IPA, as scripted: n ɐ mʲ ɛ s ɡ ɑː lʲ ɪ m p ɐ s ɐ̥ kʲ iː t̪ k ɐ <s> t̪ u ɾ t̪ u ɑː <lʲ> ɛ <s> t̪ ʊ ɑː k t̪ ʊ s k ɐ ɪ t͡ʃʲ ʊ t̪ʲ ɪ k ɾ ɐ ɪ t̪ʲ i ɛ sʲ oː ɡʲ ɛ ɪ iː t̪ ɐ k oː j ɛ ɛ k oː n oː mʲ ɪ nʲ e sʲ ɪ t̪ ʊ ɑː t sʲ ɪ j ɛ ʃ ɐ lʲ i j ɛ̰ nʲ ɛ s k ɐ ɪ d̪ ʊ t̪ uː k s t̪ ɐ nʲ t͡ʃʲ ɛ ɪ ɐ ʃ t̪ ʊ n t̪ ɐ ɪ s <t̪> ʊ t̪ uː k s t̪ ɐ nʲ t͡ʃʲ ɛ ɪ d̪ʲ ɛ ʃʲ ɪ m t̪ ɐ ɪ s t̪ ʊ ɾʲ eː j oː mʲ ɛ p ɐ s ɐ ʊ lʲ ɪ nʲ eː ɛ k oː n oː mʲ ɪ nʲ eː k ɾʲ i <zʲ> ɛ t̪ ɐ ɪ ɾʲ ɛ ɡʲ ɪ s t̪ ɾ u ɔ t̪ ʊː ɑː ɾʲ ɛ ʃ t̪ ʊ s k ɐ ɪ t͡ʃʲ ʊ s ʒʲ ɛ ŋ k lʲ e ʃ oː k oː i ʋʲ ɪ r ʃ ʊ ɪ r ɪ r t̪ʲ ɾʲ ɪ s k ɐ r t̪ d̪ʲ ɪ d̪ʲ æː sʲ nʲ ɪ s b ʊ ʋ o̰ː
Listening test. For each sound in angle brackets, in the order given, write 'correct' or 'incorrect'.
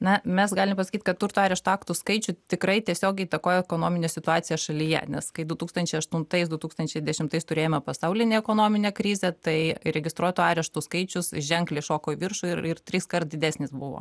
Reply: incorrect: t, incorrect: ɾʲ, incorrect: ʃ, incorrect: d̪, correct

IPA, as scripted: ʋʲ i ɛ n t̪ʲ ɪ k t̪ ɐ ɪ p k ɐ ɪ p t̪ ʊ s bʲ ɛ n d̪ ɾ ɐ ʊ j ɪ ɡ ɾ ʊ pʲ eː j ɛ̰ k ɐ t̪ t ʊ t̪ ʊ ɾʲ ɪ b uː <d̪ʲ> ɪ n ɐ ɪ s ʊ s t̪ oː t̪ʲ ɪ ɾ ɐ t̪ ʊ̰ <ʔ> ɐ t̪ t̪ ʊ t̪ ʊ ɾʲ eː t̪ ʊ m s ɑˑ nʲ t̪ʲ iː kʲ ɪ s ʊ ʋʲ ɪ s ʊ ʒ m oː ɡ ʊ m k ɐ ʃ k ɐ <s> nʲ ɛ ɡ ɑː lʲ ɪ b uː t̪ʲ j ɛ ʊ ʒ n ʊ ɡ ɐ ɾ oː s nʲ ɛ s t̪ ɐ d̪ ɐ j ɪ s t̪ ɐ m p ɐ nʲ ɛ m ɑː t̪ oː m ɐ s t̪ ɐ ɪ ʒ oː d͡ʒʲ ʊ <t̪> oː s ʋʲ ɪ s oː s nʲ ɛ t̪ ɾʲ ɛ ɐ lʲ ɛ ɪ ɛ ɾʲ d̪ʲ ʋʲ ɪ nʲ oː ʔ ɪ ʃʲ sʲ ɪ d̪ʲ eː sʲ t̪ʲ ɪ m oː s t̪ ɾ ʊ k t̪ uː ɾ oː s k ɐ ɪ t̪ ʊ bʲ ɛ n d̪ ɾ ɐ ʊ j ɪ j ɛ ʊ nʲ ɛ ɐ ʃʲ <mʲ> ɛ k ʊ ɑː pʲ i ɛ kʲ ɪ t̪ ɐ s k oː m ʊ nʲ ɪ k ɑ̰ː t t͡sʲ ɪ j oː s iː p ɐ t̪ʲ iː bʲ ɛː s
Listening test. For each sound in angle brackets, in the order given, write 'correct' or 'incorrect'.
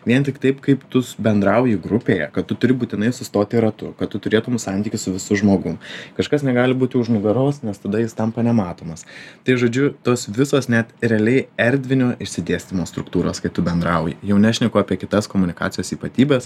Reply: incorrect: t̪ʲ, incorrect: k, correct, correct, incorrect: nʲ

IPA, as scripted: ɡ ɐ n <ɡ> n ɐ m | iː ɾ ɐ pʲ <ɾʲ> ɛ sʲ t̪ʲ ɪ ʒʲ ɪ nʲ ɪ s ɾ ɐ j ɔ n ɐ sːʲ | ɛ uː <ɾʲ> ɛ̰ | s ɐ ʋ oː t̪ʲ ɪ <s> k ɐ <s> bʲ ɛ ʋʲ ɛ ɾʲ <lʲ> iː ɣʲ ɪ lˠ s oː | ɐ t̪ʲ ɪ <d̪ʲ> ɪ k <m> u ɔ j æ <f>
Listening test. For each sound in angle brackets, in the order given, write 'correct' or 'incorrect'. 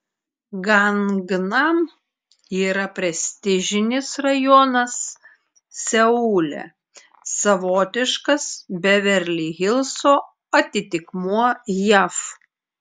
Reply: correct, correct, incorrect: lʲ, incorrect: ʃ, correct, correct, incorrect: t̪ʲ, correct, correct

